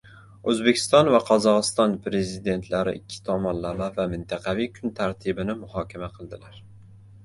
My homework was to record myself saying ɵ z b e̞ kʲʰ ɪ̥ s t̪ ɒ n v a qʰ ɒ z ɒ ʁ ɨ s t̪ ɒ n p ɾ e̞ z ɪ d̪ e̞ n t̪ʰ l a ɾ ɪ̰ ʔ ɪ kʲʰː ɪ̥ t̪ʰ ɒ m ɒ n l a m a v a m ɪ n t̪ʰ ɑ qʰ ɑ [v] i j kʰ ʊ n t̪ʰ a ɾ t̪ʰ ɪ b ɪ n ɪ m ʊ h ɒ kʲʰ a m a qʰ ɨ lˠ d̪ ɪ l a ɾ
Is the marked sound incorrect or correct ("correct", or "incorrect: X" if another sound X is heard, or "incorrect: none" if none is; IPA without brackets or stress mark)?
correct